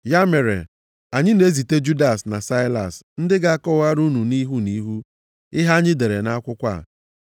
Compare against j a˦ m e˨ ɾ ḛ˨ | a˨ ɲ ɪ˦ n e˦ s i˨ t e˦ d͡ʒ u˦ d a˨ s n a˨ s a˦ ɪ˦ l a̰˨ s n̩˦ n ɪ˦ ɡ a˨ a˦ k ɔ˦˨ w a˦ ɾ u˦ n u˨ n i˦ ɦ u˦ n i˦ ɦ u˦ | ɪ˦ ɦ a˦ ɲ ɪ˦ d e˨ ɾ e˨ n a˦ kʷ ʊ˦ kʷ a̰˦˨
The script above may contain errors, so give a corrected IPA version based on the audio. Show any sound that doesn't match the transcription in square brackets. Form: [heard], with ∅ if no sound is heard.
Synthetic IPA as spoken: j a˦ m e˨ ɾ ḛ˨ | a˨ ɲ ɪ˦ n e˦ [z] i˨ t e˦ d͡ʒ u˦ d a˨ s n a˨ s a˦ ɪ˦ l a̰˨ s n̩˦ [d] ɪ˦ ɡ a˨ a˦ k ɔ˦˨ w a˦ ɾ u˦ n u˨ n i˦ ɦ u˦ n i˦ ɦ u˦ | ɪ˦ ɦ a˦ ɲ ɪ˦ d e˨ ɾ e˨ n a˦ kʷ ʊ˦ kʷ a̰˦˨